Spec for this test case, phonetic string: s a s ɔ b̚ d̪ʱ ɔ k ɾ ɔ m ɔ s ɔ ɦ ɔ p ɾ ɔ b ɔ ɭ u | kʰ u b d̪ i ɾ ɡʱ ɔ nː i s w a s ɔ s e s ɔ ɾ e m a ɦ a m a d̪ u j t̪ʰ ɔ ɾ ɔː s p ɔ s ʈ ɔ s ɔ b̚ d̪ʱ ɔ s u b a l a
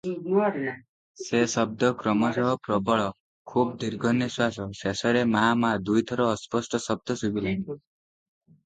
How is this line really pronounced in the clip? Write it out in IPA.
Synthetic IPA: s e s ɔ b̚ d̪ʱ ɔ k ɾ ɔ m ɔ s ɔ ɦ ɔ p ɾ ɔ b ɔ ɭ ɔ | kʰ u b d̪ i ɾ ɡʱ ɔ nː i s w a s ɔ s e s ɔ ɾ e m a ɦ a m a d̪ u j t̪ʰ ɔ ɾ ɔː s p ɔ s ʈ ɔ s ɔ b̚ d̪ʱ ɔ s u b i l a